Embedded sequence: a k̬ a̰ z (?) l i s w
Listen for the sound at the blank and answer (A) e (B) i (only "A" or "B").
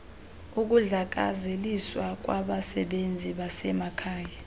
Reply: A